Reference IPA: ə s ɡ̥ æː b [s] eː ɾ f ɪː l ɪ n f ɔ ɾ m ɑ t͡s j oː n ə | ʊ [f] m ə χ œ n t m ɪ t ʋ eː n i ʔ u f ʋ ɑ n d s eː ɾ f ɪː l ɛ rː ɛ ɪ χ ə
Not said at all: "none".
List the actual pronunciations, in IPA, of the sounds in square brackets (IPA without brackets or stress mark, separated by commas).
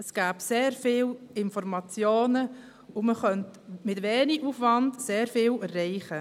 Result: s, none